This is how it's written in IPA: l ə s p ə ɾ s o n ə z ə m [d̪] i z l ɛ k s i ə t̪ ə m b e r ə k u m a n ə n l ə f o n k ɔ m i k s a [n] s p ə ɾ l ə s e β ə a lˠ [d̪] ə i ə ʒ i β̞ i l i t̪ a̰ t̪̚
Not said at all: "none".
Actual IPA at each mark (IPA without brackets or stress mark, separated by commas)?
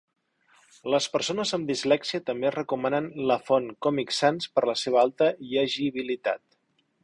d̪, n, t̪